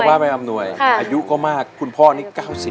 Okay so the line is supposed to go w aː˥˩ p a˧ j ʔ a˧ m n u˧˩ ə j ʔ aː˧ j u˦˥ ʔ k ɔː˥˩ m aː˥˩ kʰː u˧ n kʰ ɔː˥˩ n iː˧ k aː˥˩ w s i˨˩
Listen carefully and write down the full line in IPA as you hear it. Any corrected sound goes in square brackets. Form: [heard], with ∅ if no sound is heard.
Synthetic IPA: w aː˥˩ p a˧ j ʔ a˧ m n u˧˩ ə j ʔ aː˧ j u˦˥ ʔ k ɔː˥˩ m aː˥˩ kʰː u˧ n [pʰ] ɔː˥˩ n [iː˥˩] k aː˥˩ w s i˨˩